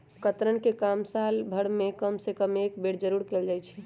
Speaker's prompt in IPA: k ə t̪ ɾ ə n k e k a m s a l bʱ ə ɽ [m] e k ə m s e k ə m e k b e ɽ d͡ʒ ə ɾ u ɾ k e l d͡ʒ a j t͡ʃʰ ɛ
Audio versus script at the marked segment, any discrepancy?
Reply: no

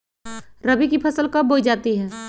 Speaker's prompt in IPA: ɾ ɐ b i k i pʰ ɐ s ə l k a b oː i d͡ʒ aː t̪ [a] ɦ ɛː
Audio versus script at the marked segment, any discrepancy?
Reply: yes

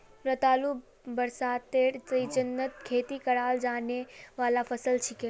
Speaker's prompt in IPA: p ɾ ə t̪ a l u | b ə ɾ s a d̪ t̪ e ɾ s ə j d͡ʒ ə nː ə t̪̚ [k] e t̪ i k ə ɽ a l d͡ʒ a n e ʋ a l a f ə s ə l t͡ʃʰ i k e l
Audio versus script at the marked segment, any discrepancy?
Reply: yes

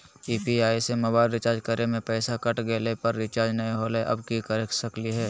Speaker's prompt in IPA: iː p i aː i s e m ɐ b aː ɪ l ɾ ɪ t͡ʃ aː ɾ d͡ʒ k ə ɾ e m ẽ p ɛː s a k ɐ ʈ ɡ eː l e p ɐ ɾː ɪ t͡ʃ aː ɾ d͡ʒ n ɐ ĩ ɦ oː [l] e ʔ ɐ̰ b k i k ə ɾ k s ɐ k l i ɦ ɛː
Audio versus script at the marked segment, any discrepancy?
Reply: no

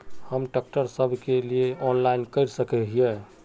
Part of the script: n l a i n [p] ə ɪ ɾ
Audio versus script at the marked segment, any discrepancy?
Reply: yes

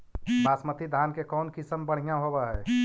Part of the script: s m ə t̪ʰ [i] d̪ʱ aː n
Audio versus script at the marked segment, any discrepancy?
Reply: no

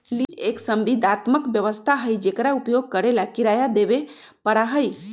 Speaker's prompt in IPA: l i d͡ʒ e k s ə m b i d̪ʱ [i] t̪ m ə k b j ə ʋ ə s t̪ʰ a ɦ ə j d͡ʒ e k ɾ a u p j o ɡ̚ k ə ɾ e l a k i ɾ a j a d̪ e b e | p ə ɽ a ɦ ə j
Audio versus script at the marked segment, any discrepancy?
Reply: yes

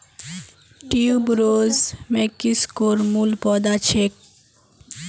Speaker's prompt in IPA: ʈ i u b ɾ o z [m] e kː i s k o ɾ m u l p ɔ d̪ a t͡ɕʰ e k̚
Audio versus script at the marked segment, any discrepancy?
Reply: no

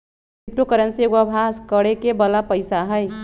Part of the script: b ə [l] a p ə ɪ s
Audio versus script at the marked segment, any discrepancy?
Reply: no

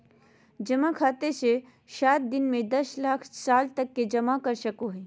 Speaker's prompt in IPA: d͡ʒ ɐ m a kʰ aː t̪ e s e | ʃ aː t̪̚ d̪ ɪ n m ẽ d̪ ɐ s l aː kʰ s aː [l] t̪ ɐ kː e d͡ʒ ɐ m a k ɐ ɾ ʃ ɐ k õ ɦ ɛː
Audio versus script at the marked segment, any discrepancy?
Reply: no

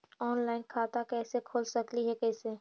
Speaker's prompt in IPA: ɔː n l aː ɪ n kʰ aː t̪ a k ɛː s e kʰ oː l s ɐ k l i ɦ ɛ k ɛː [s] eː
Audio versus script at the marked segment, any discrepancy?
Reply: no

